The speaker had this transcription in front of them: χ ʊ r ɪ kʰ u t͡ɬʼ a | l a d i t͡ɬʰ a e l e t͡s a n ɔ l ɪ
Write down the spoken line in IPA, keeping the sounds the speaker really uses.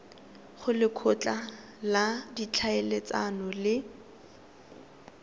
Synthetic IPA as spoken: χ ʊ l ɪ kʰ ʊ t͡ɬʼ a | l a d i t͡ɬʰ a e l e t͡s a n ɔ l ɪ